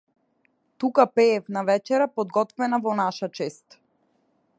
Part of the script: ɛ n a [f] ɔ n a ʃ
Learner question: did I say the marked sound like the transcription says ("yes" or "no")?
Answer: no